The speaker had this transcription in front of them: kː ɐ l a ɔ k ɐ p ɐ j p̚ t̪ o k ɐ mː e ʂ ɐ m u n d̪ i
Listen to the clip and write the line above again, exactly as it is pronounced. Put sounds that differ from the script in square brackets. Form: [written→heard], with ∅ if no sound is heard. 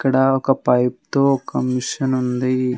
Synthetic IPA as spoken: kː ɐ [l→ɽ] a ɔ k ɐ p ɐ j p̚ t̪ o k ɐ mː [e→i] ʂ ɐ [m→n] u n d̪ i